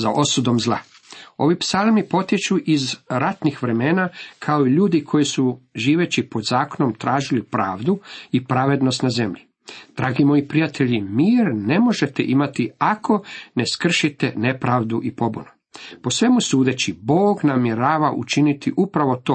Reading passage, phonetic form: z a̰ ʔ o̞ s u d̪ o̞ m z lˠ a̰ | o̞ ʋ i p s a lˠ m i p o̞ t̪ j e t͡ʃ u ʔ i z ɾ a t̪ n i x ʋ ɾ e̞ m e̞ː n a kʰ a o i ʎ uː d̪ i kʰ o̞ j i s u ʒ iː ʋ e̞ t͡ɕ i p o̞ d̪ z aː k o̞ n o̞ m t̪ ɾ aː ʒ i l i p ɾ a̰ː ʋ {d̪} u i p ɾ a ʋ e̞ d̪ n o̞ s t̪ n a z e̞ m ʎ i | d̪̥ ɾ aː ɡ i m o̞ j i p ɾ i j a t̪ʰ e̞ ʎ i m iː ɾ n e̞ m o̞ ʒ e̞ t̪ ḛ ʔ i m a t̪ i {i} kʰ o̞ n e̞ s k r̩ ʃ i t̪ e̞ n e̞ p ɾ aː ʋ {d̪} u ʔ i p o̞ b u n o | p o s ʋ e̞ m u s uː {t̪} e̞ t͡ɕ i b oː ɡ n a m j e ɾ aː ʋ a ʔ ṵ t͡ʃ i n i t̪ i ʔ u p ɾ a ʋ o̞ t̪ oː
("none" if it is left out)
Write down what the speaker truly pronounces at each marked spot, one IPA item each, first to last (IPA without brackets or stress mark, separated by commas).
d̪, a, d̪, d̪